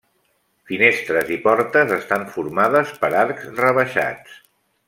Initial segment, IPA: f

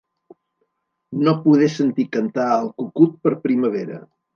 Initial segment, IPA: n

